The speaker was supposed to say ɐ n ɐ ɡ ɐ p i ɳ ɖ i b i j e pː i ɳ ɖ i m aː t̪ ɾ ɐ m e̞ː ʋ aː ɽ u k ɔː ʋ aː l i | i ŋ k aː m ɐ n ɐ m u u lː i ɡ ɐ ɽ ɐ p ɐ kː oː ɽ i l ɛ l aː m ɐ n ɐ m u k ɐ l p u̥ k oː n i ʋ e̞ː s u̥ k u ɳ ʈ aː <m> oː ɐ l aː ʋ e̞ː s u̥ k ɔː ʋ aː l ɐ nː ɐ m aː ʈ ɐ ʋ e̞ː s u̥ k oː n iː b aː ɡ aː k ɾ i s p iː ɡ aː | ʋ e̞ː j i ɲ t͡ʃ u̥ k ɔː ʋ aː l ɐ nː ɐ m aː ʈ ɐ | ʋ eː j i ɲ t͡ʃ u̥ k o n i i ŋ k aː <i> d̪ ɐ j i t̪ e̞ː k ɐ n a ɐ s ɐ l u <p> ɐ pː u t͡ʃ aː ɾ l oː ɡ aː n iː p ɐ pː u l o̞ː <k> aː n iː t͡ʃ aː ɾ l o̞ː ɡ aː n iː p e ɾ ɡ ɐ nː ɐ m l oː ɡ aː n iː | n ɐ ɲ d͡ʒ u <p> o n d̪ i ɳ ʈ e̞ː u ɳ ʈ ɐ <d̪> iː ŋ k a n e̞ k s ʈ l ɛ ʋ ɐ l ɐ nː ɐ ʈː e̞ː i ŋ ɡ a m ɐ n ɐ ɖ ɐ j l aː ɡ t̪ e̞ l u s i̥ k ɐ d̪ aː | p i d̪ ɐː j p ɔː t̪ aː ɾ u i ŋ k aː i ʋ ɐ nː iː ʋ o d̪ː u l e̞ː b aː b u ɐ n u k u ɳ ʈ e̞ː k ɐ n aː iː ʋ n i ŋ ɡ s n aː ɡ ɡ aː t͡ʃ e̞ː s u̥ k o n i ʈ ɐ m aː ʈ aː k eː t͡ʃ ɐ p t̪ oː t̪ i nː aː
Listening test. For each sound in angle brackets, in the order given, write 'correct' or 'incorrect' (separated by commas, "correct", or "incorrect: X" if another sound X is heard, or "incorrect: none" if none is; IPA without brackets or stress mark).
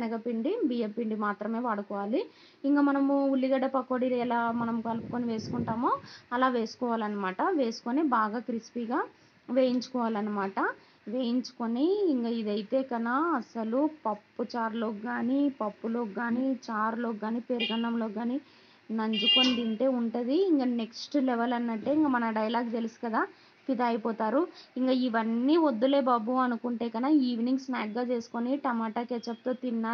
correct, correct, correct, incorrect: ɡ, incorrect: k, correct